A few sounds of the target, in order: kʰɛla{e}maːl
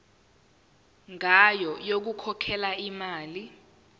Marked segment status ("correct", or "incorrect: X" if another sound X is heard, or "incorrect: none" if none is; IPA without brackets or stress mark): incorrect: i